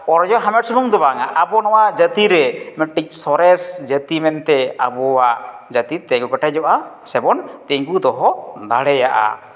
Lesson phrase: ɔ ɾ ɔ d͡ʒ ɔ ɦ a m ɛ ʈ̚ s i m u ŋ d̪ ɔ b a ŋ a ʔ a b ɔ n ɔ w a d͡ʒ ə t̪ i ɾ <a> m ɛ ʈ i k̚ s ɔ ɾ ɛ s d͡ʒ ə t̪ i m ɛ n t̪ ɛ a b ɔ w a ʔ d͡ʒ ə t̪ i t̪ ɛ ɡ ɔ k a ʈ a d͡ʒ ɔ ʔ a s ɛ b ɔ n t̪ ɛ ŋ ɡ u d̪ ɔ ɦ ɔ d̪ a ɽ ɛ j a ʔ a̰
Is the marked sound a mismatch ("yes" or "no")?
yes